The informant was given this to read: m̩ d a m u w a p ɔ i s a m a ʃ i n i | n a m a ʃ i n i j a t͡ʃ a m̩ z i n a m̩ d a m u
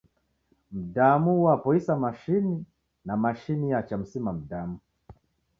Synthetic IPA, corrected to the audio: m̩ d a m u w a p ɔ i s a m a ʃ i n i | n a m a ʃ i n i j a t͡ʃ a m̩ s i m a m̩ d a m u